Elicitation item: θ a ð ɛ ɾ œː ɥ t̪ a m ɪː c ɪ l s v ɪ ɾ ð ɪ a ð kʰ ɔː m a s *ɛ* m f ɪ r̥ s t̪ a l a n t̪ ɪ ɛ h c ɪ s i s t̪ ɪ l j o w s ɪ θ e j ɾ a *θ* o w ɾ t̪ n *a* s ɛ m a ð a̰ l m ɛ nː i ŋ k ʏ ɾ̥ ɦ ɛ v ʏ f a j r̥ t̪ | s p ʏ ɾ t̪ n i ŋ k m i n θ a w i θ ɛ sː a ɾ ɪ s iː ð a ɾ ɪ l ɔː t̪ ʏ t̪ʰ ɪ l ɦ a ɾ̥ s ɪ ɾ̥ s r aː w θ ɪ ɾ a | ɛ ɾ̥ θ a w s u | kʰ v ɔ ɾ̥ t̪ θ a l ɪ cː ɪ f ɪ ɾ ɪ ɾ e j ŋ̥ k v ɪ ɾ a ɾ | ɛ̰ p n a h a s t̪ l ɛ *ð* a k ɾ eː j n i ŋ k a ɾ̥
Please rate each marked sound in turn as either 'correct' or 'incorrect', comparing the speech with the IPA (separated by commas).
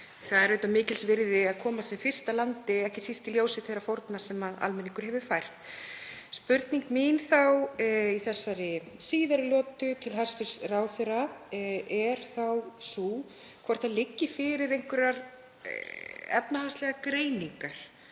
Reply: correct, incorrect, correct, incorrect